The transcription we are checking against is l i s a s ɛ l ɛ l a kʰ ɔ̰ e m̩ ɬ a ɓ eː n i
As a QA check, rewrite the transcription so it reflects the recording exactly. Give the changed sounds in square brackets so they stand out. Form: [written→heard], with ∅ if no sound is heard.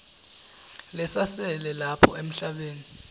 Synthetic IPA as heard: l [i→ɛ] s a s ɛ l ɛ l a [kʰ→pʰ] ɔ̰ e m̩ ɬ a ɓ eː n i